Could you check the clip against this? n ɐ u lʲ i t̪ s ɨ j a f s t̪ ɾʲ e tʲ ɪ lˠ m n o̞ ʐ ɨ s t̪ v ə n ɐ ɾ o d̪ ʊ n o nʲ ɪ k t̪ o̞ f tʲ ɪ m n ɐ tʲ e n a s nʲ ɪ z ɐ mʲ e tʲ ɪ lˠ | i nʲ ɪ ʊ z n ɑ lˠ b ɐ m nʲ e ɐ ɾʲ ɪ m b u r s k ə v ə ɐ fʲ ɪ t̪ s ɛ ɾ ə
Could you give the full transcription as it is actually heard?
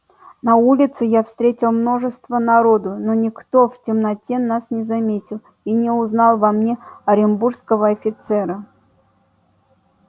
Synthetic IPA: n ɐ u lʲ ɪ t̪ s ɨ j a f s t̪ ɾʲ e tʲ ɪ lˠ m n o̞ ʐ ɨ s t̪ v ə n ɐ ɾ o d̪ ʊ n o nʲ ɪ k t̪ o̞ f tʲ ɪ m n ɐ tʲ e n a s nʲ ɪ z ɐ mʲ e tʲ ɪ lˠ | i nʲ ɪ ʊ z n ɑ lˠ v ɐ m nʲ e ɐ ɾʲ ɪ m b u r s k ə v ə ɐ fʲ ɪ t̪ s ɛ ɾ ə